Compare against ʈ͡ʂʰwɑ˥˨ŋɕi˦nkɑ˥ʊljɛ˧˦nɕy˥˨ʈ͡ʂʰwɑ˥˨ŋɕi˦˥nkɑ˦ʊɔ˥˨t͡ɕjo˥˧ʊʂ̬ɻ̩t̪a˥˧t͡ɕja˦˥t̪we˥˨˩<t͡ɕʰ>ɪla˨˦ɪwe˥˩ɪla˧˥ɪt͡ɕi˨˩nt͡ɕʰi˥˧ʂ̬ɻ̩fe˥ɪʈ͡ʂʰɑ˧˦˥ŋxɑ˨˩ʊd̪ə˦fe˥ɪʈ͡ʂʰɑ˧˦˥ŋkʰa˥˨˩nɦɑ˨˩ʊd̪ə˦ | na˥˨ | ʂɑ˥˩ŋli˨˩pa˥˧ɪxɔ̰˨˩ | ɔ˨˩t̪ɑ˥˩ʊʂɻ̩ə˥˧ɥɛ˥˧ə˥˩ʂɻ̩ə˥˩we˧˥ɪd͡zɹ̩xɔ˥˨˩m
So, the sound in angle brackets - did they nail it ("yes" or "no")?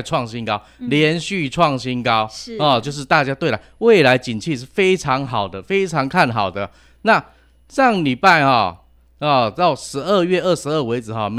no